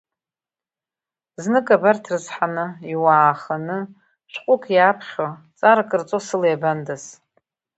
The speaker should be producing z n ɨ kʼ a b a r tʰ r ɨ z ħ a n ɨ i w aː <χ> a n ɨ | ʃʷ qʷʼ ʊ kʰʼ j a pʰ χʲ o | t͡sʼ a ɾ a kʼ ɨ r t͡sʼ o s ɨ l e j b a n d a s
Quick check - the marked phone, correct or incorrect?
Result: correct